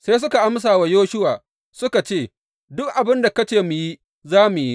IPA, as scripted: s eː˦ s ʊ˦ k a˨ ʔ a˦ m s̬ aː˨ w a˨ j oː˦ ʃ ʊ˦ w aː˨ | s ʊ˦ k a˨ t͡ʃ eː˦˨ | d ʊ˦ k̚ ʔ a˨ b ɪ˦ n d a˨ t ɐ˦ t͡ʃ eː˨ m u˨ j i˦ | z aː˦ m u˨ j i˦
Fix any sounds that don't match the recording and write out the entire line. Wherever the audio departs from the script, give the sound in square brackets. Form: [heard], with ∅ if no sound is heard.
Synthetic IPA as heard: s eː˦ s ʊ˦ k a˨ ʔ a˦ m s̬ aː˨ w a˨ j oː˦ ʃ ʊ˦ w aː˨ | s ʊ˦ k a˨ t͡ʃ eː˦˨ | d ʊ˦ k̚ ʔ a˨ b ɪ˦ n d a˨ [k] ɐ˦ t͡ʃ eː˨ m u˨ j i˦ | z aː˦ m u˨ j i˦